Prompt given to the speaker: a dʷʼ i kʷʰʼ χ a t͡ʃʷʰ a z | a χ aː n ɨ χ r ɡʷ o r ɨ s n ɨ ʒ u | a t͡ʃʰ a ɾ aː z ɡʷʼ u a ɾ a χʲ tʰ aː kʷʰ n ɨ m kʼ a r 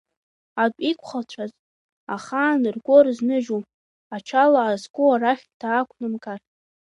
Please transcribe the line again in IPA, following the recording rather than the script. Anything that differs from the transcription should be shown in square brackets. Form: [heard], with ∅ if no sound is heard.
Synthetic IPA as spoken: a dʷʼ i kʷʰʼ χ a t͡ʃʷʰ a z | a χ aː n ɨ [∅] r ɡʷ o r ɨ [z] n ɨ ʒ u | a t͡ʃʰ a [l] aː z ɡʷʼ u a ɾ a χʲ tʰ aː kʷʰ n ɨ m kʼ a r